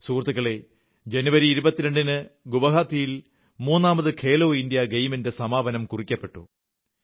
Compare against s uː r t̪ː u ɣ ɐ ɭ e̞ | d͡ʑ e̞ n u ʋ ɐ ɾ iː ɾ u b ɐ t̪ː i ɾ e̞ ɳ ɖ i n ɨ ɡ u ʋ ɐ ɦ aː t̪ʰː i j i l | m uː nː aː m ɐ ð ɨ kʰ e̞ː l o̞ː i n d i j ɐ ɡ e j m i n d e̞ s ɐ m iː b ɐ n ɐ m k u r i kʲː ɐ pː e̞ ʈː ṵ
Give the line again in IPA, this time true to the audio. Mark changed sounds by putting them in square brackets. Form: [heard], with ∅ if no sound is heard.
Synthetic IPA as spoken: s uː r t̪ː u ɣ ɐ ɭ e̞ | d͡ʑ e̞ n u ʋ ɐ ɾ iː ɾ u b ɐ t̪ː i ɾ e̞ ɳ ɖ i n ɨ ɡ u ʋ ɐ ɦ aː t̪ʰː i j i l | m uː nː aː m ɐ ð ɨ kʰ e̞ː l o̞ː i n d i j ɐ ɡ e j m i n d e̞ s ɐ m [aː] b ɐ n ɐ m k u r i kʲː ɐ pː e̞ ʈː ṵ